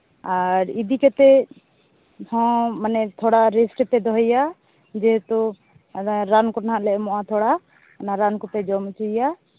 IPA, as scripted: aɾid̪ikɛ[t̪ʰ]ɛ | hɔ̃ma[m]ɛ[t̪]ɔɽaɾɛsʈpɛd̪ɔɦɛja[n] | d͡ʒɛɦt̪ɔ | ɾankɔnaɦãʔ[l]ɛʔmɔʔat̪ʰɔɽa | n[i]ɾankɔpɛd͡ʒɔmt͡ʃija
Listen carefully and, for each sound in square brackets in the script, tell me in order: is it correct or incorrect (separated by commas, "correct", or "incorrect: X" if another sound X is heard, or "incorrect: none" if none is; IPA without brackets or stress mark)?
incorrect: t̪, incorrect: n, incorrect: t̪ʰ, incorrect: none, correct, incorrect: a